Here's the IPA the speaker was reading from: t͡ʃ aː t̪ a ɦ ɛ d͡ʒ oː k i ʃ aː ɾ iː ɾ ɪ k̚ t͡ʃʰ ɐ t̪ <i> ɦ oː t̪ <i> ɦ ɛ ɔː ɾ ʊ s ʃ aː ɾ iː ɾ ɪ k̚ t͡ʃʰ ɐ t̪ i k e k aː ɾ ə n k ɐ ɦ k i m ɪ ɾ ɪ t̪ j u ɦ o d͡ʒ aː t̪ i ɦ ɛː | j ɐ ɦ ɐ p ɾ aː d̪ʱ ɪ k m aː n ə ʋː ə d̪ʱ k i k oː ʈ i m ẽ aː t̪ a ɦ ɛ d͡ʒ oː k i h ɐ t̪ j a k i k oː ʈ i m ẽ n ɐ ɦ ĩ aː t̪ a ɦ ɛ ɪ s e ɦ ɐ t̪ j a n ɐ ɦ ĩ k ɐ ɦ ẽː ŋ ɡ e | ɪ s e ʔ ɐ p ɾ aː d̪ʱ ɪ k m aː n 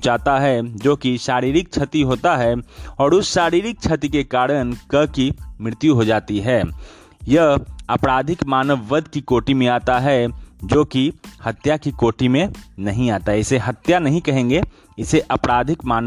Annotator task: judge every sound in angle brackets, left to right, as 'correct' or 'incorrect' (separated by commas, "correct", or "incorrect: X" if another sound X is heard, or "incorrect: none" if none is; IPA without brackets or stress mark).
correct, incorrect: a